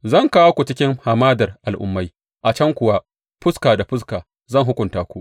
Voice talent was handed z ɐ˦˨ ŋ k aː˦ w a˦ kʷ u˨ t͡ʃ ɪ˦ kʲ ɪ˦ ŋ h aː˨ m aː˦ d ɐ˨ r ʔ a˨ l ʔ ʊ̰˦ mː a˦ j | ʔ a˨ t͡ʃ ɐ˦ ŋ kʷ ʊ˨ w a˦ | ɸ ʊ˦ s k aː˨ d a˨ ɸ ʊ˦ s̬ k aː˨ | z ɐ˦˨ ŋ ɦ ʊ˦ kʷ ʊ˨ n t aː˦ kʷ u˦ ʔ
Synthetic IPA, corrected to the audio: z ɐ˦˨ ŋ k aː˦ w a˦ kʷ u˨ t͡ʃ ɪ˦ kʲ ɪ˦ ŋ h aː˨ m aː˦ d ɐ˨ r ʔ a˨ l ʔ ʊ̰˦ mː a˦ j | ʔ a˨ t͡ʃ ɐ˦ ŋ kʷ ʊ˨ w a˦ | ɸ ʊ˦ s k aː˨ d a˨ ɸ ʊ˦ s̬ k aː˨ | z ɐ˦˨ ŋ ɦ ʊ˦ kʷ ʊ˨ n t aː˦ kʷ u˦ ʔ